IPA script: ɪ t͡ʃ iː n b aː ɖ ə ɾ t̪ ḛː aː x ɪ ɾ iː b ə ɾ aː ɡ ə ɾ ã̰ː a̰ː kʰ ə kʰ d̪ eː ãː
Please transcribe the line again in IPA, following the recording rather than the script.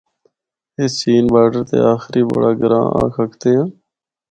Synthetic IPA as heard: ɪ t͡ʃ iː n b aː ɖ ə ɾ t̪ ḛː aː x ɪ ɾ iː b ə ɽ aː ɡ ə ɾ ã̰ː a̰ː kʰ ə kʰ t̪ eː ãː